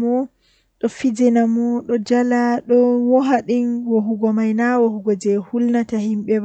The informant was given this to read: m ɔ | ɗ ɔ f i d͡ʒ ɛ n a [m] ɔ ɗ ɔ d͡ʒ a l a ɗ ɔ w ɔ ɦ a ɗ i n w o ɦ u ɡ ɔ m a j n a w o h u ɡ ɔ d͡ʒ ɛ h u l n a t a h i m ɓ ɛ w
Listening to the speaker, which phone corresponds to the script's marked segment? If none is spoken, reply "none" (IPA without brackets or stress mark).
m